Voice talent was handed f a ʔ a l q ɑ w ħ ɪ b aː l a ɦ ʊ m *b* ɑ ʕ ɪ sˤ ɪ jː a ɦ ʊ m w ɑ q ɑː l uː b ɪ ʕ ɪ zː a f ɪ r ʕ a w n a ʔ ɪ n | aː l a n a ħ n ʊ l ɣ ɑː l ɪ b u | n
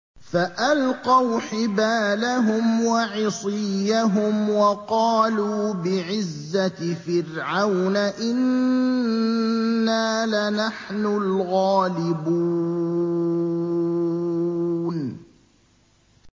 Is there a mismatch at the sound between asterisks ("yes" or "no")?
yes